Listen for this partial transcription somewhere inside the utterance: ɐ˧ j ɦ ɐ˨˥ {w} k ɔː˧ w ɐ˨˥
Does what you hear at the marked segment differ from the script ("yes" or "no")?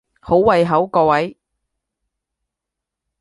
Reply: no